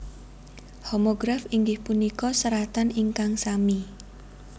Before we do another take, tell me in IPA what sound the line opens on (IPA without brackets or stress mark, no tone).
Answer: h